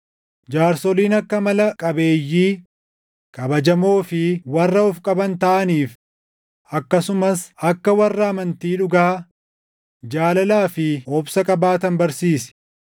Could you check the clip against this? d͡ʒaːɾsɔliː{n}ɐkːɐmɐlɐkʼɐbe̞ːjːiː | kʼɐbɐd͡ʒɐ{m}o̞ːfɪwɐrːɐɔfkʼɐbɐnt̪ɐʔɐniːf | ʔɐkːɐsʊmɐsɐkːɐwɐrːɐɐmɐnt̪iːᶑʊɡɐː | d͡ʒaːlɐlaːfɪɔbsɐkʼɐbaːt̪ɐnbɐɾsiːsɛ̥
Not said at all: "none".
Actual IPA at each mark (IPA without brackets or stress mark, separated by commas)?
n, m